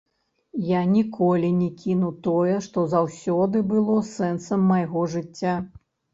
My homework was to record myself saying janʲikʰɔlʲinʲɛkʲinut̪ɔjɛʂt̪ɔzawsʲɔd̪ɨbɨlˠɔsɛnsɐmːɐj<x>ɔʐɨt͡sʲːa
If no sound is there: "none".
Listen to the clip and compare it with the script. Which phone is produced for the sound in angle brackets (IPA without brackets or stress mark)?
ɣ